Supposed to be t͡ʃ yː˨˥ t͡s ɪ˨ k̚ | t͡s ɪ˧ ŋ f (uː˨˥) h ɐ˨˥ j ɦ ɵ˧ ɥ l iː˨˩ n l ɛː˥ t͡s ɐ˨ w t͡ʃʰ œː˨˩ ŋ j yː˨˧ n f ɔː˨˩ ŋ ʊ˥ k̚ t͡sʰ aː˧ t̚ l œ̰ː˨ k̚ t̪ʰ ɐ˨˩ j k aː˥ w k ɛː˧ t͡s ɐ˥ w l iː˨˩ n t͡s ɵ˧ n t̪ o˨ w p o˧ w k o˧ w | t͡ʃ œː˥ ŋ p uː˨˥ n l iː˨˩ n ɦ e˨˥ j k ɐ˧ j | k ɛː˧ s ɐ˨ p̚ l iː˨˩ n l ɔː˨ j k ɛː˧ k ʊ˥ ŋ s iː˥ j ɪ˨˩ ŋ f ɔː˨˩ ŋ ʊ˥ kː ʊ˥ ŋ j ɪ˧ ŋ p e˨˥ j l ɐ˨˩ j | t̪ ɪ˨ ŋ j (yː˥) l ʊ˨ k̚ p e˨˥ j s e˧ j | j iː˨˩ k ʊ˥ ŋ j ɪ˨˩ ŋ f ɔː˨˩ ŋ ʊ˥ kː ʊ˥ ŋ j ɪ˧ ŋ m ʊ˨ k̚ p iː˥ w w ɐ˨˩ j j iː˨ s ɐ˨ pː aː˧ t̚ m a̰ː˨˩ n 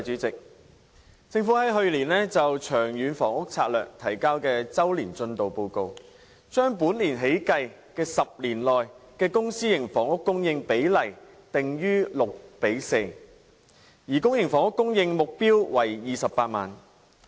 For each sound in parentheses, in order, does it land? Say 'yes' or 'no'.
no, yes

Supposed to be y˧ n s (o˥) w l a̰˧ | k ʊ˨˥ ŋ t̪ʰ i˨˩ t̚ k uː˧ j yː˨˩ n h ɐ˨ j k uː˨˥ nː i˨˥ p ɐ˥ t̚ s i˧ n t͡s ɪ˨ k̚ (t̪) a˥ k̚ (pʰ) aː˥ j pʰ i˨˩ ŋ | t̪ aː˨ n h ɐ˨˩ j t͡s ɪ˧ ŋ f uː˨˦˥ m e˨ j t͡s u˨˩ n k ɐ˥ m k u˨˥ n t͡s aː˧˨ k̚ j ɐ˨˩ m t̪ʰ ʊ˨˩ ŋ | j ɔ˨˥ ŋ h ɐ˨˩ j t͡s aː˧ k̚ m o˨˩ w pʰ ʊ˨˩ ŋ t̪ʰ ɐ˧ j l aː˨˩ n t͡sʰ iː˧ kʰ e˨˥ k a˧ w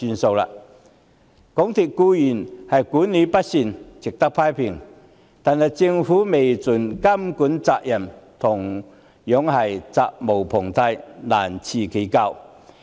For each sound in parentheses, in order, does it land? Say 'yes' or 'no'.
no, yes, yes

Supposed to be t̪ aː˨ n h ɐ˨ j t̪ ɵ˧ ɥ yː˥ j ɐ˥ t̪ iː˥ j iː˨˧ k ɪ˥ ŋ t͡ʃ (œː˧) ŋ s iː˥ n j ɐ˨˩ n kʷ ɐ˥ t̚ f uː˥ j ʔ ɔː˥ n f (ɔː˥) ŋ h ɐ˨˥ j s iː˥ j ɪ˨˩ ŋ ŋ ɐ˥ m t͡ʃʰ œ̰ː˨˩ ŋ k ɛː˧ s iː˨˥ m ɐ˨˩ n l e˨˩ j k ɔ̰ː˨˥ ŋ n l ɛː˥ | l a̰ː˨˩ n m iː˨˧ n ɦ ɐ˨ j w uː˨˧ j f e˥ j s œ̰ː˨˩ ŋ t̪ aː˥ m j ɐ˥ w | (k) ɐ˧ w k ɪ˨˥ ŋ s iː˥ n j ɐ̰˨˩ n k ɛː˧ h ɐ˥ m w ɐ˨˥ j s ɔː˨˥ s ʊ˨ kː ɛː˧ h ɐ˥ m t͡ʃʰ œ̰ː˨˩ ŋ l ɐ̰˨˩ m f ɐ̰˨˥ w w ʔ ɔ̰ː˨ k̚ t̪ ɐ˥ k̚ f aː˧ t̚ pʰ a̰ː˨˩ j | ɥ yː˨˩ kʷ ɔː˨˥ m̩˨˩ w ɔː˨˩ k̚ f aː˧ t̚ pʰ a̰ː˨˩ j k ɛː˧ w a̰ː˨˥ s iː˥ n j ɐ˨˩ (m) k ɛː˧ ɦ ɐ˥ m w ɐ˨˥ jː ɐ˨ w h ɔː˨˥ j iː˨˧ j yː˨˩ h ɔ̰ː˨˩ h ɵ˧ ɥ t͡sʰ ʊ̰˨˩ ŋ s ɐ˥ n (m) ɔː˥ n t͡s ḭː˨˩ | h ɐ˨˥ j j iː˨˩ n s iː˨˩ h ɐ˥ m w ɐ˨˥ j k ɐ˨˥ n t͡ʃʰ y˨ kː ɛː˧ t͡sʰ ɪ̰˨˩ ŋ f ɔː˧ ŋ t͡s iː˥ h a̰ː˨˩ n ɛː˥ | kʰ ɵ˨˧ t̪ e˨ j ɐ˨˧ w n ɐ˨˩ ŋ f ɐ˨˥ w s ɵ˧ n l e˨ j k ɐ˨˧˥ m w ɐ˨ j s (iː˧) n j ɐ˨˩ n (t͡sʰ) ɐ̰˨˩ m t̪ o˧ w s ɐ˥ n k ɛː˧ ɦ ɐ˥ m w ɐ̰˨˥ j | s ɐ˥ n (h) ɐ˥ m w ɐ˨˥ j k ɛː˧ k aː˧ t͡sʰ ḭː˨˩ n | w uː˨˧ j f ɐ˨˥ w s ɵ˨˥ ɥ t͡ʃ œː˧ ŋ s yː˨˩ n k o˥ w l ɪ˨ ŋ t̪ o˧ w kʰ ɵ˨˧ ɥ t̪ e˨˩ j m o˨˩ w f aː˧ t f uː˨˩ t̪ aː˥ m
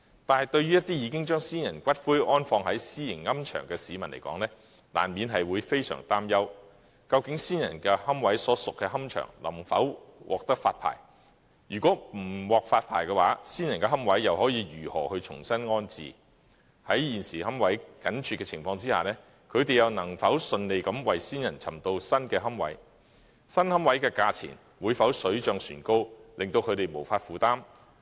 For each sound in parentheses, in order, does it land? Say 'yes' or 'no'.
no, no, yes, no, no, no, yes, yes

